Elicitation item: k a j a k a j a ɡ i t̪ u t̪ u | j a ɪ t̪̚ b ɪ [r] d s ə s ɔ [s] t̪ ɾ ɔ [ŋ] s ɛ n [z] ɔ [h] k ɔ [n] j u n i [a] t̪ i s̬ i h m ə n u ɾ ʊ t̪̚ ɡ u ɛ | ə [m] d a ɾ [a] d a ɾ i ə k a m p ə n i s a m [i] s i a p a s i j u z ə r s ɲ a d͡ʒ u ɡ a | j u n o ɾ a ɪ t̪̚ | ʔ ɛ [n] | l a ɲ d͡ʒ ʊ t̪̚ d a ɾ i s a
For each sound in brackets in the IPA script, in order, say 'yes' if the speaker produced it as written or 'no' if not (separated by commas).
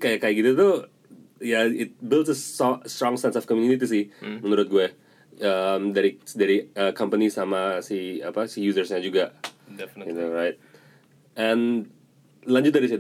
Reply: no, yes, yes, no, no, no, no, yes, no, no, yes